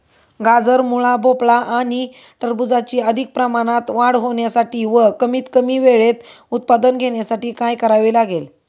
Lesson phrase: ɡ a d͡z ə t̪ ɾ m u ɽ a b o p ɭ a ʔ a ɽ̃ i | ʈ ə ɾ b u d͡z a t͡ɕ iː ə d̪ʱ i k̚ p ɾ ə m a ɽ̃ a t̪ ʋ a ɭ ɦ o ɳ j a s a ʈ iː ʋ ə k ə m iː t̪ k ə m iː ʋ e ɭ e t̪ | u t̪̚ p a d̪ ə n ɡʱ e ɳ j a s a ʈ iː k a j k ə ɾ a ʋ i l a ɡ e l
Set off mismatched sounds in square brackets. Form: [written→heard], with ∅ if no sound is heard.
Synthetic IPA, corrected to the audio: ɡ a d͡z ə [t̪→∅] ɾ m u [ɽ→ɭ] a b o p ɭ a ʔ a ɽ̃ i | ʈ ə ɾ b u d͡z a t͡ɕ iː ə d̪ʱ i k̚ p ɾ ə m a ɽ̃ a t̪ ʋ a [ɭ→ɽ] ɦ o ɳ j a s a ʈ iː ʋ ə k ə m iː t̪ k ə m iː ʋ e ɭ e t̪ | u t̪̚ p a d̪ ə n ɡʱ e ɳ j a s a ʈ iː k a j k ə ɾ a ʋ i l a ɡ e l